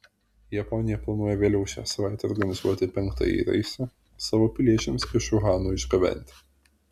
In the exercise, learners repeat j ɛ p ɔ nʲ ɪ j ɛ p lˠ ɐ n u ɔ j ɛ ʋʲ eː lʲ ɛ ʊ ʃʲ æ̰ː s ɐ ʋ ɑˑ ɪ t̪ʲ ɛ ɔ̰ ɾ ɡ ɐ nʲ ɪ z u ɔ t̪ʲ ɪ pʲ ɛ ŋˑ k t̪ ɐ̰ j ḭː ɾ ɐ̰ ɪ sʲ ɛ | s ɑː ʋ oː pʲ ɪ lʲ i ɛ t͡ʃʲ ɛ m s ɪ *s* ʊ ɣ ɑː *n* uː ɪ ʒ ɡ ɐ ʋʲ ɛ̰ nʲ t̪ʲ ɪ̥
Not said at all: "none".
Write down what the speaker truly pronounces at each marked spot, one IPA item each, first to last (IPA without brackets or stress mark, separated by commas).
ʃ, n